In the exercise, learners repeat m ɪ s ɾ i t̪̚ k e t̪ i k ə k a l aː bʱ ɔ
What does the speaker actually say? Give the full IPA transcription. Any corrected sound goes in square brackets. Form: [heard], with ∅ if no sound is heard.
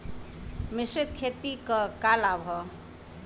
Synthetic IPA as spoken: m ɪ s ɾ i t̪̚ [kʰ] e t̪ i k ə k a l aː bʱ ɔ